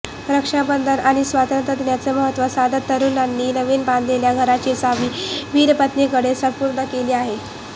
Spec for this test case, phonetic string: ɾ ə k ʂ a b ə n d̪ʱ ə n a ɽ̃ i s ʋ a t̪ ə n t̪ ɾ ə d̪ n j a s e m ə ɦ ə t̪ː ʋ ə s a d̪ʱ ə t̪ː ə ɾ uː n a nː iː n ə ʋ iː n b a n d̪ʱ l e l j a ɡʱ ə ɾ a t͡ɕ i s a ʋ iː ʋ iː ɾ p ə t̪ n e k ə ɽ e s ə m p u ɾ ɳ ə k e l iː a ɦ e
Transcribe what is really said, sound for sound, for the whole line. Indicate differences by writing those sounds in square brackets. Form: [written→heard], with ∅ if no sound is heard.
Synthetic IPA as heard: ɾ ə k ʂ a b ə n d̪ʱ ə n a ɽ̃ i s ʋ a t̪ ə n t̪ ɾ ə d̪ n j a [s→t͡s] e m ə ɦ ə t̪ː ʋ ə s a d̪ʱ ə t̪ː ə ɾ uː n a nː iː n ə ʋ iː n b a n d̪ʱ l e l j a ɡʱ ə ɾ a t͡ɕ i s a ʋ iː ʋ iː ɾ p ə t̪ n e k ə ɽ e s ə m p u ɾ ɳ ə k e l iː a ɦ e

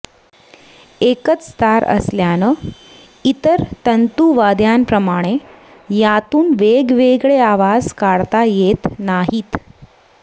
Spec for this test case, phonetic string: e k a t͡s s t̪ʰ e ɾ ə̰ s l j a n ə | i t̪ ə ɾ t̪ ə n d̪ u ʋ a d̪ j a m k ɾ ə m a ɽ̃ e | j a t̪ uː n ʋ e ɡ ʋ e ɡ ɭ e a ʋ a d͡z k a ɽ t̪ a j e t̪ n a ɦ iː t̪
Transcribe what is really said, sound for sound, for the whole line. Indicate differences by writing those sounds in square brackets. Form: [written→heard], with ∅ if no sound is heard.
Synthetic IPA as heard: e k [a→ə] t͡s s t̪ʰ [e→a] ɾ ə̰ s l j a n ə | i t̪ ə ɾ t̪ ə n [d̪→t̪] u ʋ a d̪ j a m [k→p] ɾ ə m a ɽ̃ e | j a t̪ uː n ʋ e ɡ ʋ e ɡ ɭ e a ʋ a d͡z k a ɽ t̪ a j e t̪ n a ɦ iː t̪

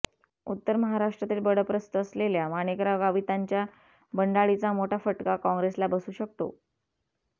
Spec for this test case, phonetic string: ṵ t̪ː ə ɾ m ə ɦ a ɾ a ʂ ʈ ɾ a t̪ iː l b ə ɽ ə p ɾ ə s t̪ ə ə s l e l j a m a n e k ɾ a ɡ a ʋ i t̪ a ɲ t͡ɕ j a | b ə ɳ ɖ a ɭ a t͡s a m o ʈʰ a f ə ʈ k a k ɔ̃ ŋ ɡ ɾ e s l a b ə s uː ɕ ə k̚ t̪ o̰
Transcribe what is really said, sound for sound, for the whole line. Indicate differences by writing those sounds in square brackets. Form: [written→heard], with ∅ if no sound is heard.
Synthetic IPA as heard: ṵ t̪ː ə ɾ m ə ɦ a ɾ a ʂ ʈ ɾ a t̪ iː l b ə ɽ ə p ɾ ə s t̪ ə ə s l e l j a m a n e k ɾ a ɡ a ʋ i t̪ a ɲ t͡ɕ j a | b ə ɳ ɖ a ɭ [a→i] t͡s a m o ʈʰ a f ə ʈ k a k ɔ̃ ŋ ɡ ɾ e s l a b ə s uː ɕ ə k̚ t̪ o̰

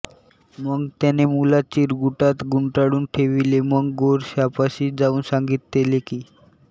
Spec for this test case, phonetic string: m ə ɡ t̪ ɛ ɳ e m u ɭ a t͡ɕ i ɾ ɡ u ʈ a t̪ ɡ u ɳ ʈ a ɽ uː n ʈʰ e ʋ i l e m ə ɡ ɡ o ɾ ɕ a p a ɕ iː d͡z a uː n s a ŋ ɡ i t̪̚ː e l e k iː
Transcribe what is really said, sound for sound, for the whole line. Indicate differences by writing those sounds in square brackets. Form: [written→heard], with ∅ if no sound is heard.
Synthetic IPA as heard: m ə ɡ t̪ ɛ [ɳ→n] e m u [ɭ→l] a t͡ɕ i ɾ ɡ u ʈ a t̪ ɡ u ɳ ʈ a ɽ uː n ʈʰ e ʋ i l e m ə ɡ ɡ o ɾ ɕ a p a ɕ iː d͡z a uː n s a ŋ ɡ i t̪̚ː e l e k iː

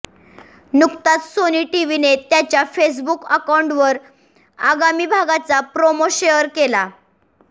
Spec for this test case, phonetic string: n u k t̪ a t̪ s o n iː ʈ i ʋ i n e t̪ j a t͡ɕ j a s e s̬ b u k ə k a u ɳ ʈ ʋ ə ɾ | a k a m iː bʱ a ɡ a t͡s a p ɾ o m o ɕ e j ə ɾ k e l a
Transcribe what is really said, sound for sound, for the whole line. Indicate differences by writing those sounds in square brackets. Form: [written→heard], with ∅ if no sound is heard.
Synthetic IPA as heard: n u k t̪ a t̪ s o n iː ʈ i ʋ i n e t̪ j a t͡ɕ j a [s→f] e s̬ b u k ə k a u ɳ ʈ ʋ ə ɾ | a [k→ɡ] a m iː bʱ a ɡ a t͡s a p ɾ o m o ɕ e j ə ɾ k e l a

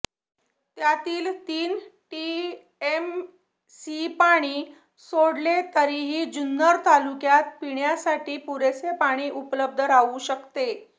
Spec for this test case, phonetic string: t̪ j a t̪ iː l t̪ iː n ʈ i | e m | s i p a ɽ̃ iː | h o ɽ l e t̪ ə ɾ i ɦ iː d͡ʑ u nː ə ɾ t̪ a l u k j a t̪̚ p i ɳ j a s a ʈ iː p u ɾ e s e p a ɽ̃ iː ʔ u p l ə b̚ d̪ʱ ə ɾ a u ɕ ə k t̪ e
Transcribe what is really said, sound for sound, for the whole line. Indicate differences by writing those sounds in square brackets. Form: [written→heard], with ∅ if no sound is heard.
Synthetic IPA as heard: t̪ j a t̪ iː l t̪ iː n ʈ i | e m | s i p a ɽ̃ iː | [h→s] o ɽ l e t̪ ə ɾ i ɦ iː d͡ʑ u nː ə ɾ t̪ a l u k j a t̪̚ p i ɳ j a s a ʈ iː p u ɾ e s e p a ɽ̃ iː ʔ u p l ə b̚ d̪ʱ ə ɾ a u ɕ ə k t̪ e

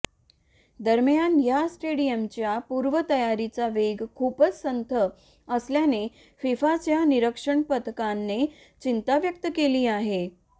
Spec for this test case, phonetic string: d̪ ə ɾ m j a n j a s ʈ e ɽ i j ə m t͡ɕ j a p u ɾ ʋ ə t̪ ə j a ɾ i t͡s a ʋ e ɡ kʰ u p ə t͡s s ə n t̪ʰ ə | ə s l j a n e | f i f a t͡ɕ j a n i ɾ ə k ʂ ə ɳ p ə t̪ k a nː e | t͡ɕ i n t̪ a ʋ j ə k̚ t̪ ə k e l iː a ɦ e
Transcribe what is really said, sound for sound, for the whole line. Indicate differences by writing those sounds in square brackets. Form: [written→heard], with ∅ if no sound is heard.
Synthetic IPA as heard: d̪ ə ɾ m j a n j a s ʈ e ɽ i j ə m t͡ɕ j a p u ɾ ʋ ə t̪ ə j a ɾ i t͡s a ʋ e ɡ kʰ u p ə t͡s s ə n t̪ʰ ə | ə s l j a n e | f i f a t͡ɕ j a n i ɾ ə k ʂ ə ɳ p ə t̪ k a nː e | t͡ɕ i n t̪ a ʋ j ə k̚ t̪ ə k e l iː a ɦ e

